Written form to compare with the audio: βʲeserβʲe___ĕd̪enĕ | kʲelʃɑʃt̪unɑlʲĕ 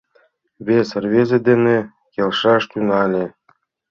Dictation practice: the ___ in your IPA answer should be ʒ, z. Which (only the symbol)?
z